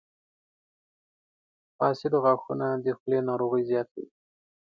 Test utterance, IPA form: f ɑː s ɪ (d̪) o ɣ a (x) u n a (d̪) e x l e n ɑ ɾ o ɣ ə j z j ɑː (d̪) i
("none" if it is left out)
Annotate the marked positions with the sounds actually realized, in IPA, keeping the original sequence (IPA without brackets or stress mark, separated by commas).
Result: d̪, x, d̪, t̪